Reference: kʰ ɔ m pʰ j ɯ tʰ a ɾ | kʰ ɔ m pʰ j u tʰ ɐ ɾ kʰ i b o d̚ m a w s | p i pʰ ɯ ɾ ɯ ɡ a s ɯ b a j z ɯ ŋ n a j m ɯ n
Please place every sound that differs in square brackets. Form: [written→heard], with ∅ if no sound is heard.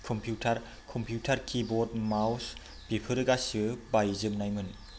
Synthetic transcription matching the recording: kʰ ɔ m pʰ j [ɯ→u] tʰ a ɾ | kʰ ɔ m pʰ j u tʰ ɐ ɾ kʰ i b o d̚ m a w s | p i pʰ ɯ ɾ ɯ ɡ a s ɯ b a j z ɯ [ŋ→m] n a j m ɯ n